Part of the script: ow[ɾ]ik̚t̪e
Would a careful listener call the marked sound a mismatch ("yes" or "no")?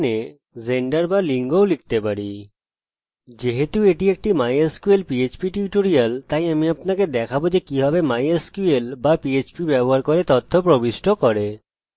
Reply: yes